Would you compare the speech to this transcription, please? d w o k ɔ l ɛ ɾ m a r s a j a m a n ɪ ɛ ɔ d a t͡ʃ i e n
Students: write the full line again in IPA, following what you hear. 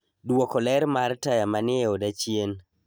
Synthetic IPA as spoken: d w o k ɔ l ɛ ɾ m a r t a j a m a n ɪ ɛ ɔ d a t͡ʃ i e n